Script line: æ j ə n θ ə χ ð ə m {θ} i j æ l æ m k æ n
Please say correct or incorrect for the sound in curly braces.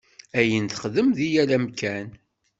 incorrect